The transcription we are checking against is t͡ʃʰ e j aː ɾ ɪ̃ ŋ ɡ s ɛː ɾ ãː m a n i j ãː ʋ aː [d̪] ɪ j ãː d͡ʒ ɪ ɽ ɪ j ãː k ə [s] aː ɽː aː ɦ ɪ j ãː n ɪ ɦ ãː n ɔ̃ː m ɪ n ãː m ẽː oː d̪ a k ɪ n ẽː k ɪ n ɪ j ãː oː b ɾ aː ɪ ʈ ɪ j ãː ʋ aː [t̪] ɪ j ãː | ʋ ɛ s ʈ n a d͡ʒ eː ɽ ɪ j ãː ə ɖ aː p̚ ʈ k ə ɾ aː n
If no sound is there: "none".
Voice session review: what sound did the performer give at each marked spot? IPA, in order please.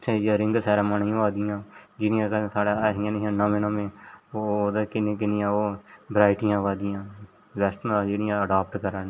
d̪, s, d̪

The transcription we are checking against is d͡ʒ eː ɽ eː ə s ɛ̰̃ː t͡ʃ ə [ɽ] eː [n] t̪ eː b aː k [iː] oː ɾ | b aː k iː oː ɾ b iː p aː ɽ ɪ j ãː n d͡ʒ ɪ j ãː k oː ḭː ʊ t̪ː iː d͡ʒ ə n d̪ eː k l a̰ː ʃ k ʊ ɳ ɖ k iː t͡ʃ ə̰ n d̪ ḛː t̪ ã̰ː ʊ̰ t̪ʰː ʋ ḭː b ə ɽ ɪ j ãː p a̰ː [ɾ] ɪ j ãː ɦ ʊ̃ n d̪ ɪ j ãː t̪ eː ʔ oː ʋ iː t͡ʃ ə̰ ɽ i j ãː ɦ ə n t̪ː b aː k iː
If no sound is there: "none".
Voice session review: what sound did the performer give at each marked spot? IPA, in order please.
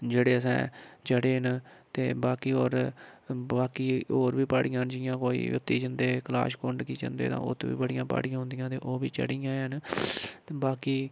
ɽ, n, iː, ɽ

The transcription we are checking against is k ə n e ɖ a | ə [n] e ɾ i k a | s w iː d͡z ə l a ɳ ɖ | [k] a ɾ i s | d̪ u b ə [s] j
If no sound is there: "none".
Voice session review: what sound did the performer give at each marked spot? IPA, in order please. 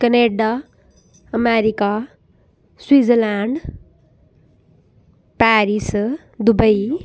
m, p, none

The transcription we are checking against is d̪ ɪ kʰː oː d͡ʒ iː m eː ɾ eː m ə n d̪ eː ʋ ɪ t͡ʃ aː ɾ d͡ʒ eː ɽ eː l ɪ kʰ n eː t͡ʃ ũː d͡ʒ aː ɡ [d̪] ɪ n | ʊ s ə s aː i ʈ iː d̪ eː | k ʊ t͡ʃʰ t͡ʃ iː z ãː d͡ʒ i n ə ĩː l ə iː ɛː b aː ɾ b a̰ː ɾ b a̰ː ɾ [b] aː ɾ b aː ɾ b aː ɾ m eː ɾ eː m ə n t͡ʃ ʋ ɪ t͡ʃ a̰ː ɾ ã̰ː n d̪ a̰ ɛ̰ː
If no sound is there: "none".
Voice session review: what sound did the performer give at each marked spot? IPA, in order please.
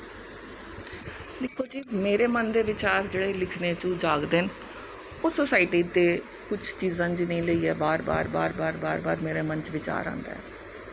d̪, b

